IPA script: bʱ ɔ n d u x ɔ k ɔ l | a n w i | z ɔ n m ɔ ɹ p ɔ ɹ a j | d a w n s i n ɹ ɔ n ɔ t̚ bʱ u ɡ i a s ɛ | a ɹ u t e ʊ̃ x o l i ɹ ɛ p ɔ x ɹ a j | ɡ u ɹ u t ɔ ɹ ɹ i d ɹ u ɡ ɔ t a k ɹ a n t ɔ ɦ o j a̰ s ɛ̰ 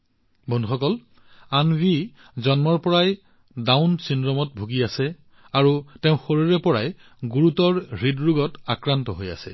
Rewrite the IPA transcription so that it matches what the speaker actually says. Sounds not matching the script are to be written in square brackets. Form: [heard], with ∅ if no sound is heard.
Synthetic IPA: bʱ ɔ n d u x ɔ k ɔ l | a n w i | z ɔ n m ɔ ɹ p ɔ ɹ a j | d a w n s i n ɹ ɔ [m] ɔ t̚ bʱ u ɡ i a s ɛ | a ɹ u t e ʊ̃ x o [ɹ] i ɹ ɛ p ɔ [∅] ɹ a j | ɡ u ɹ u t ɔ ɹ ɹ i d ɹ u ɡ ɔ t a k ɹ a n t ɔ ɦ o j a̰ s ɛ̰

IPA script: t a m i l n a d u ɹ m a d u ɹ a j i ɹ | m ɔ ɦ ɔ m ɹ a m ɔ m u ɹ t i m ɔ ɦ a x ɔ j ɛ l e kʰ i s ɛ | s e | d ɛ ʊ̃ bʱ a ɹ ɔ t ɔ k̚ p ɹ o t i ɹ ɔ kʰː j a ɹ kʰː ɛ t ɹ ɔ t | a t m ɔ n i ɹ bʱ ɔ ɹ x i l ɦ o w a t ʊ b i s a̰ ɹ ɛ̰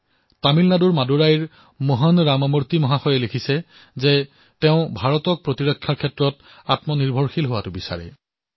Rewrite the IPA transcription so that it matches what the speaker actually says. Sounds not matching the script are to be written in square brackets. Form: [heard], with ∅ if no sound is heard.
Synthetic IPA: t a m i l n a d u ɹ m a d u ɹ a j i ɹ | m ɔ ɦ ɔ [n] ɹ a m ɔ m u ɹ t i m ɔ ɦ a x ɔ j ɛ l e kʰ i s ɛ | [z] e | [t] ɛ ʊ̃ bʱ a ɹ ɔ t ɔ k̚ p ɹ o t i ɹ ɔ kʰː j a ɹ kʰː ɛ t ɹ ɔ t | a t m ɔ n i ɹ bʱ ɔ ɹ x i l ɦ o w a t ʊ b i s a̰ ɹ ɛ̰

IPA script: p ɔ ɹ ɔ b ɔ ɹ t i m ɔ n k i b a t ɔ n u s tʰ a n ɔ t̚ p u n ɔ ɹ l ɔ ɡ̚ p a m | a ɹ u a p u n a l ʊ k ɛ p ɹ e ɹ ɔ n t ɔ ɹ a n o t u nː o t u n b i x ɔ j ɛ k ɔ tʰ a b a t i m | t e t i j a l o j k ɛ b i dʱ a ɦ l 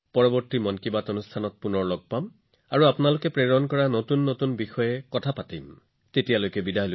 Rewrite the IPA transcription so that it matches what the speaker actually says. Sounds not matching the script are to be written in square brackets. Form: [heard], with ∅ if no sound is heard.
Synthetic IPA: p ɔ ɹ ɔ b ɔ ɹ t i m ɔ n k i b a t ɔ n u s tʰ a n ɔ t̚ p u n ɔ ɹ l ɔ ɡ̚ p a m | a ɹ u a p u n a l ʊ k ɛ p ɹ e ɹ ɔ n [k] ɔ ɹ a n o t u nː o t u n b i x ɔ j ɛ k ɔ tʰ a [p] a t i m | t e t i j a l o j k ɛ b i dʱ a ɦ l

